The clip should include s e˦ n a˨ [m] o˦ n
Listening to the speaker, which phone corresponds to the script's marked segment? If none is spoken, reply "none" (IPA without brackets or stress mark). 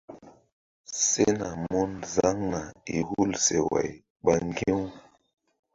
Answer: m